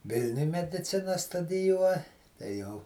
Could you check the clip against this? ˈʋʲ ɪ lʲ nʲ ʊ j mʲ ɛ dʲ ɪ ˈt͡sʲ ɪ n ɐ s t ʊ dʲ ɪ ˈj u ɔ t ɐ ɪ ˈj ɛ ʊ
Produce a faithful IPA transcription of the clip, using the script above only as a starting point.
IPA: ˈʋʲ ɪ lʲ nʲ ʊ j mʲ ɛ dʲ ɪ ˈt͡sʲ ɪ n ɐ s t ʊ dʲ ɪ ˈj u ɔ t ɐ ɪ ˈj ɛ ʊ